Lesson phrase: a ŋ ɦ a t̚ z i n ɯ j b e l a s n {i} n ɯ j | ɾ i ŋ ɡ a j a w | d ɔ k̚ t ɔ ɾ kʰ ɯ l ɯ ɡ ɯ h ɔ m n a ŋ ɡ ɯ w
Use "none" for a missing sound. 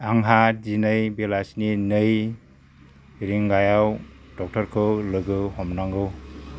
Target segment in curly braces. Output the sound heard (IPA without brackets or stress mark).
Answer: i